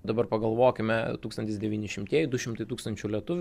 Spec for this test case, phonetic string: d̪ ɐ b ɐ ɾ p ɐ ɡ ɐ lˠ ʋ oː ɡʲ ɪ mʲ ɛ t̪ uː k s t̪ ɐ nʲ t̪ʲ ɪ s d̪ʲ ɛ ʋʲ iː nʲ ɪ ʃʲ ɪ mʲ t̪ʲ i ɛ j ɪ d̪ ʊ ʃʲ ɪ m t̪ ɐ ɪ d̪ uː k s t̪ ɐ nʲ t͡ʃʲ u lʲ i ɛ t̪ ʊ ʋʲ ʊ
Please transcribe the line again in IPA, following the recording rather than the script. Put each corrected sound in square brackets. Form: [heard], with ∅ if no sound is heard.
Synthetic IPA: d̪ ɐ b ɐ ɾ p ɐ ɡ ɐ lˠ ʋ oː [kʲ] ɪ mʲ ɛ t̪ uː k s t̪ ɐ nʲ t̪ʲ ɪ s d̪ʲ ɛ ʋʲ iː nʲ ɪ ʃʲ ɪ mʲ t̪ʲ i ɛ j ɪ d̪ ʊ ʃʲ ɪ m t̪ ɐ ɪ [t̪] uː k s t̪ ɐ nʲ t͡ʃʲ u lʲ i ɛ t̪ ʊ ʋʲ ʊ